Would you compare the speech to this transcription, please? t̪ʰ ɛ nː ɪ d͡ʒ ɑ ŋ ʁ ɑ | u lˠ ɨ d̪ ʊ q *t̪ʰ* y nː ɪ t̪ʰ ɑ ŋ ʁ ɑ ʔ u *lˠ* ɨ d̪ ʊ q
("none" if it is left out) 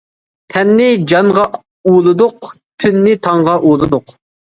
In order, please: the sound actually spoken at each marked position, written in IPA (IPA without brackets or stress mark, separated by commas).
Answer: t̪ʰ, lˠ